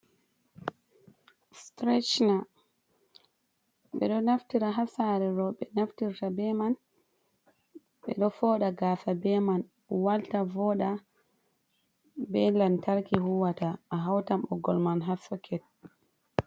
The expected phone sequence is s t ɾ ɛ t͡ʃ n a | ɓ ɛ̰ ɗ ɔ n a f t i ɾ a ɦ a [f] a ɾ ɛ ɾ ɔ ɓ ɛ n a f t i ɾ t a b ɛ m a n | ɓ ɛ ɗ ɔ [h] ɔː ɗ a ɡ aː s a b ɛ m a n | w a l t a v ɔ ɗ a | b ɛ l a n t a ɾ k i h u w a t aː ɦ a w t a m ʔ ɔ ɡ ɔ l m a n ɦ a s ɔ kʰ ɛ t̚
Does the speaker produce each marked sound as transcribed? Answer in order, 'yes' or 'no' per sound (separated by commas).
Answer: no, no